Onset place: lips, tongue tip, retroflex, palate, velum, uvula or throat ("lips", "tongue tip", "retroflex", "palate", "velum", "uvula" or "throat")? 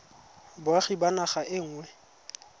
lips